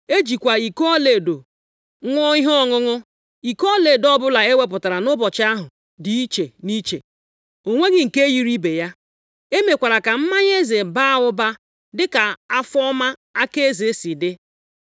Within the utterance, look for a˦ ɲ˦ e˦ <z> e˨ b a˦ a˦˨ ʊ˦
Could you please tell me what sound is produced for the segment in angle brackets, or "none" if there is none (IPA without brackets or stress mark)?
z